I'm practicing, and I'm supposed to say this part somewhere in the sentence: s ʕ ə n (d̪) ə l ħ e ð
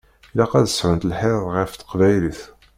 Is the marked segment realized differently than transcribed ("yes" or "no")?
yes